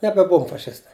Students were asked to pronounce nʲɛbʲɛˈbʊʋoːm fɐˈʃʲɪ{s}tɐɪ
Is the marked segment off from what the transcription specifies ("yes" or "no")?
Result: no